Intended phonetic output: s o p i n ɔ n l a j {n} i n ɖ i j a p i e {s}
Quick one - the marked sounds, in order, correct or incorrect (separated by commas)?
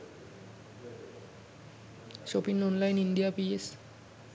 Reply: correct, correct